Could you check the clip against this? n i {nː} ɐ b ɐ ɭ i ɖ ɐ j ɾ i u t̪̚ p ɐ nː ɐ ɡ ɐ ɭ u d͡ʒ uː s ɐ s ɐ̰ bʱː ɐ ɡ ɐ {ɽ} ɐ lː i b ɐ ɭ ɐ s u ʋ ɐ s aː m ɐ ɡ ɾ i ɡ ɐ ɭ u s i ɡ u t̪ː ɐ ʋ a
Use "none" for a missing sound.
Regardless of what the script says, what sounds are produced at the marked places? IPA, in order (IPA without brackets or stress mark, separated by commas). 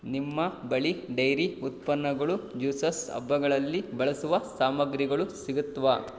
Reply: mː, ɭ